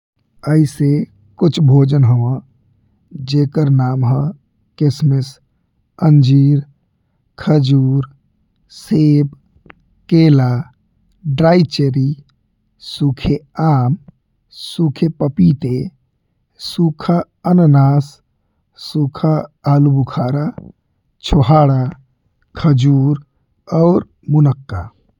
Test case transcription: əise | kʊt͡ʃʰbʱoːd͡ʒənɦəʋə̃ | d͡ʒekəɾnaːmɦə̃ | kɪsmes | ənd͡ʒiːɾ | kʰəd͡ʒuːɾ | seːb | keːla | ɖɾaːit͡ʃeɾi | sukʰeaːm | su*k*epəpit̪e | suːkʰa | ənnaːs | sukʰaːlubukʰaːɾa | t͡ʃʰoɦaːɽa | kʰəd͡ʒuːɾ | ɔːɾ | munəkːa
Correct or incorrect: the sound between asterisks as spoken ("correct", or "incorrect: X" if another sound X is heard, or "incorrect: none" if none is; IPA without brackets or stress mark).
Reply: incorrect: kʰ